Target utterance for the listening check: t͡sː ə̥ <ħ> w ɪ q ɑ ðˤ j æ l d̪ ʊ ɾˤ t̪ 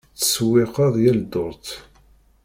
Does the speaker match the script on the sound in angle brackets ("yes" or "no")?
no